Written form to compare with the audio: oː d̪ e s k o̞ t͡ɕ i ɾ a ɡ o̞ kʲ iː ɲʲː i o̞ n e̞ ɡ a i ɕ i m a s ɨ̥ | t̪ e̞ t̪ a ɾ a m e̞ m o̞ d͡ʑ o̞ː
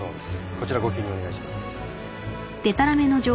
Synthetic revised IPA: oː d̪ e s k o̞ t͡ɕ i ɾ a ɡ o̞ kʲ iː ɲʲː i o̞ n e̞ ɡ a i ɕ i m a s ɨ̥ | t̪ e̞ t̪ a ɾ a m e̞ n o̞ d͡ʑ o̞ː